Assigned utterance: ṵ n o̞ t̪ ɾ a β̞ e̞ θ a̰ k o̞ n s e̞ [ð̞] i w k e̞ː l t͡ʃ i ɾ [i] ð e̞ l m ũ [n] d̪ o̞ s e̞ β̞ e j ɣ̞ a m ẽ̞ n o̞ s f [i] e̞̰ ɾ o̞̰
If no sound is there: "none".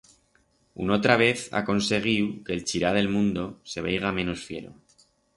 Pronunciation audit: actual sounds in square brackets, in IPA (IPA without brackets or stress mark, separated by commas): ɣ̞, a, n, j